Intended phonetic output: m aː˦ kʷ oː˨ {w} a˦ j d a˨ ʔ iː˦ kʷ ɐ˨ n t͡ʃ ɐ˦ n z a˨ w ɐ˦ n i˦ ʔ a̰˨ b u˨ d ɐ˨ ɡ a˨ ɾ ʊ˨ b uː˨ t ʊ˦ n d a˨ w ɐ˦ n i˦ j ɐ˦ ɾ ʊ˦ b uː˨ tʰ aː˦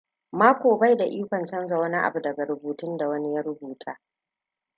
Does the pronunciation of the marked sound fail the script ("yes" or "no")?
yes